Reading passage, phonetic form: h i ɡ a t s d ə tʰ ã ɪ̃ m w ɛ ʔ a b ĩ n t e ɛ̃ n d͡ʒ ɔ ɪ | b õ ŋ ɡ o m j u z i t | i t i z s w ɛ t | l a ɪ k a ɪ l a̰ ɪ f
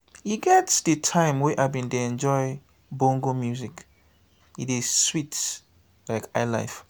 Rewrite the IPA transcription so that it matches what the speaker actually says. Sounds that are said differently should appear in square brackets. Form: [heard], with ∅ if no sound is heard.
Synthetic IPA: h i ɡ [ɛ] t s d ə tʰ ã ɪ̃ m w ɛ ʔ a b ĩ n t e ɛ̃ n d͡ʒ ɔ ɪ | b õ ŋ ɡ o m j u z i [k] | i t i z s w [i] t | l a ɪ k a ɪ l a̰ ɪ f